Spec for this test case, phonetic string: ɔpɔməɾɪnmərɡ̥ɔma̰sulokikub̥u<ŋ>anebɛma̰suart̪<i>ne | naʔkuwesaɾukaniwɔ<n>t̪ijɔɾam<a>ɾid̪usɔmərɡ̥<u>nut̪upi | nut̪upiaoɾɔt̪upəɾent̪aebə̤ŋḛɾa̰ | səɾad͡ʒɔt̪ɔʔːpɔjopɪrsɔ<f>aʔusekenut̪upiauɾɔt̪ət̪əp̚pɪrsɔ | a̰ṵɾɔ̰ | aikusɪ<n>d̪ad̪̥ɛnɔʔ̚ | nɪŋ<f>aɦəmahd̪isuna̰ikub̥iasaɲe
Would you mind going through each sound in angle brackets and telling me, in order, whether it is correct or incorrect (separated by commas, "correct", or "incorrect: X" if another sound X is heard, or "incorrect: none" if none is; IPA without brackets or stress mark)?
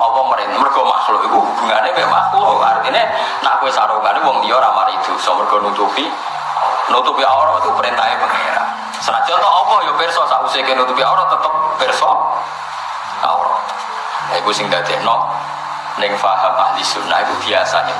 correct, correct, incorrect: ŋ, correct, incorrect: ɔ, incorrect: s, incorrect: ŋ, correct